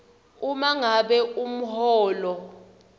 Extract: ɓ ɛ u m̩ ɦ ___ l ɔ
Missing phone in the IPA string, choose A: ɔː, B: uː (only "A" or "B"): A